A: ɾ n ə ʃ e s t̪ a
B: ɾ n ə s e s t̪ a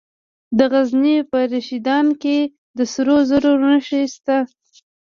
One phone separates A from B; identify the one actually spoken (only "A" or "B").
A